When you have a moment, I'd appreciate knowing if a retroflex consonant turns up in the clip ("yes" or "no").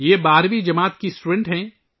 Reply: yes